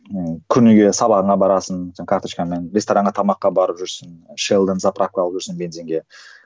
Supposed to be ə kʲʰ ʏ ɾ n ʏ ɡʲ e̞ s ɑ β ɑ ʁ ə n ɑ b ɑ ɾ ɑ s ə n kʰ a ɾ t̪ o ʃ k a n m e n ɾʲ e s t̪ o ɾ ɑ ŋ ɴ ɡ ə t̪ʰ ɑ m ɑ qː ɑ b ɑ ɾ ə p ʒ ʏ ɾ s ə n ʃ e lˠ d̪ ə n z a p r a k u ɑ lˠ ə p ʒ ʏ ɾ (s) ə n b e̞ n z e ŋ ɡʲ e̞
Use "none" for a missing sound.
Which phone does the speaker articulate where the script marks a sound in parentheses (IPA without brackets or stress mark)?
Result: s